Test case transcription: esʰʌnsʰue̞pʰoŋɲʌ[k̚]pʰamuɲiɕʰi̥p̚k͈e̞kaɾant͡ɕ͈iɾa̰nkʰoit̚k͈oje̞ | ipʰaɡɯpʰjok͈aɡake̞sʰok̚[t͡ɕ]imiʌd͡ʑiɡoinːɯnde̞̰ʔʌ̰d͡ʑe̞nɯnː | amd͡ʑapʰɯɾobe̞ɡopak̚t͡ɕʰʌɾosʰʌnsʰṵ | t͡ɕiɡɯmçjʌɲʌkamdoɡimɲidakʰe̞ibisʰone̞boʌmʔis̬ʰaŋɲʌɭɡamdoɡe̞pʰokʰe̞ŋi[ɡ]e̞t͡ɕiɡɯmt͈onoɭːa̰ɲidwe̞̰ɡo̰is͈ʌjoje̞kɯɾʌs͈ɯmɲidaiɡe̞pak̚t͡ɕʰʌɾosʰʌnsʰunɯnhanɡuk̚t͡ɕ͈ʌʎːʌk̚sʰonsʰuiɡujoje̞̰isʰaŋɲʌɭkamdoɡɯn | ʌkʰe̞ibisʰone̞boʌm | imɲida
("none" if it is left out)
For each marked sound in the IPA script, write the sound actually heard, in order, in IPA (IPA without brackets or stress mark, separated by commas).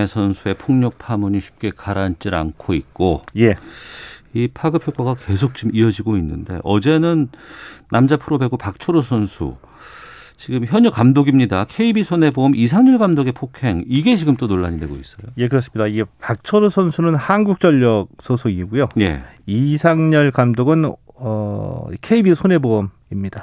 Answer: k̚, t͡ɕ, ɡ